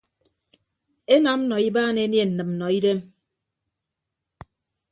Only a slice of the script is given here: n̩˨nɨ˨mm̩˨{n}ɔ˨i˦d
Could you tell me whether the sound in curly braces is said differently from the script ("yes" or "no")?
no